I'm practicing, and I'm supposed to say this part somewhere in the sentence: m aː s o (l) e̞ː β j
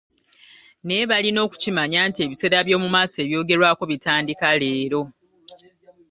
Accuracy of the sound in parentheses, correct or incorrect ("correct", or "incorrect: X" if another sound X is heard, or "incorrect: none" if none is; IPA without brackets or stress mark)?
incorrect: none